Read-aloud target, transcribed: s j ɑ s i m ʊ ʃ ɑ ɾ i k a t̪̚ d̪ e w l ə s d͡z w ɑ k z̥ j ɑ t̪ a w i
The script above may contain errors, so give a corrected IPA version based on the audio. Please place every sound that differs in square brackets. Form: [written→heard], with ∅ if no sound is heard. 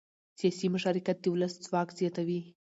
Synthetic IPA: s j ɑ s i m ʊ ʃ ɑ ɾ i k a t̪̚ d̪ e w l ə s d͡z w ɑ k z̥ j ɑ t̪ a w i